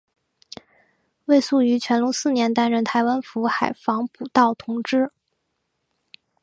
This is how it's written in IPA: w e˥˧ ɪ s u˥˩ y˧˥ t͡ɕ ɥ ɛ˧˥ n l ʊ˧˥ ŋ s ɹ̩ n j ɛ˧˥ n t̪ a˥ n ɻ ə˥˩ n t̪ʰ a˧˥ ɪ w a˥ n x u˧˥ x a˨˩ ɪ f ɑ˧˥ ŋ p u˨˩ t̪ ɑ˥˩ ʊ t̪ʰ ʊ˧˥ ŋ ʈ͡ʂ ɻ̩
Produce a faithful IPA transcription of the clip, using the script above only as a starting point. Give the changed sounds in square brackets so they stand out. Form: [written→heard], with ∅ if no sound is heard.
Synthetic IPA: w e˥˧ ɪ s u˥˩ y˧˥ [t͡ɕ→t͡ɕʰ] ɥ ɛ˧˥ n l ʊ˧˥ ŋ s ɹ̩ n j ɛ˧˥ n t̪ a˥ n ɻ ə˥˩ n t̪ʰ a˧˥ ɪ w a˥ n [x→f] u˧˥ x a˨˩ ɪ f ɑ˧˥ ŋ p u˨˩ t̪ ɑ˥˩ ʊ t̪ʰ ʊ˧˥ ŋ ʈ͡ʂ ɻ̩